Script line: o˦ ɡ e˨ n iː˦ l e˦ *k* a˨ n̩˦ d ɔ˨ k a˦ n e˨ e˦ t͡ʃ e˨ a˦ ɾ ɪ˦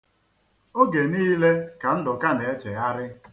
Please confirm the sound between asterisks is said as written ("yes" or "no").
yes